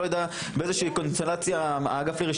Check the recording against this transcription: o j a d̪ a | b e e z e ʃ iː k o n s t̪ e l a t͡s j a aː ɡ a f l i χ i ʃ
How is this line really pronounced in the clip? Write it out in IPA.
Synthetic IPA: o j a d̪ a | b e e z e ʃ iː k o n s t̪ e l a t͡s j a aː ɡ a f l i ʁ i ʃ